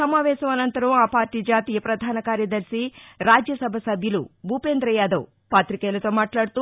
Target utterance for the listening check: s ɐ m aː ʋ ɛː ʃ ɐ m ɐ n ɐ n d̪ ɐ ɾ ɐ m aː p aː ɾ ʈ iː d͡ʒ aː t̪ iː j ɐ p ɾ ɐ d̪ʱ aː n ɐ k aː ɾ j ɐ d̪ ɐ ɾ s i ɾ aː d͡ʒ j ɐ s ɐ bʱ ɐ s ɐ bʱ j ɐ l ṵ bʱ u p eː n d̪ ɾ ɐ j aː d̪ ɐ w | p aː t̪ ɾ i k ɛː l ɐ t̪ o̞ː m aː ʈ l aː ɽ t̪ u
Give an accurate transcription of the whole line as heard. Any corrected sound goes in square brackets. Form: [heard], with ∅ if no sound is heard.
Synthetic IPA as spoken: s ɐ m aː ʋ ɛː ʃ ɐ m ɐ n ɐ n [t̪] ɐ ɾ ɐ m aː p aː ɾ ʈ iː d͡ʒ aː t̪ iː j ɐ p ɾ ɐ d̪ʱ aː n ɐ k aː ɾ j ɐ d̪ ɐ ɾ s i ɾ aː d͡ʒ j ɐ s ɐ bʱ ɐ s ɐ bʱ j ɐ l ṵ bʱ u p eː n d̪ ɾ ɐ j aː d̪ ɐ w | p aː t̪ ɾ i k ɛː l ɐ t̪ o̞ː m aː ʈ l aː ɽ t̪ u